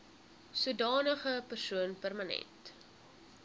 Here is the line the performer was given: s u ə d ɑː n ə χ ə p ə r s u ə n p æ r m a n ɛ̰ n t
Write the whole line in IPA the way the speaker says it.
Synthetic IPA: s u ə d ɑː n ə χ ə p ə r s u ə n p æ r m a n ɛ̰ n t

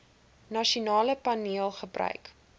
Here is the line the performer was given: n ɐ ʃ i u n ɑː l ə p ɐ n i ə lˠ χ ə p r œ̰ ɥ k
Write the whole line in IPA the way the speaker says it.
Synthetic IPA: n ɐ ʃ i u n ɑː l ə p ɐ n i ə lˠ χ ə b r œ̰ ɥ k

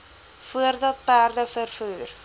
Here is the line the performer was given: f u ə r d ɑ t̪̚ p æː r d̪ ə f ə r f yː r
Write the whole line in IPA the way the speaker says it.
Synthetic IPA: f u ə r d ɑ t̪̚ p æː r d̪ ə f ə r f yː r

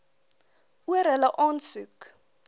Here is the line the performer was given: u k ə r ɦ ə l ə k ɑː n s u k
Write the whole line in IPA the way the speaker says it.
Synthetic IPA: u ə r ɦ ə l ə ʔ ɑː n s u k

